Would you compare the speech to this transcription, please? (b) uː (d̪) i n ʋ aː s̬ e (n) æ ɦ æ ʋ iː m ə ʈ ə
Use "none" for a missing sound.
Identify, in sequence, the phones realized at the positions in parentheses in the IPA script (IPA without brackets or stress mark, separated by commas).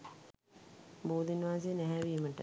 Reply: b, d̪, n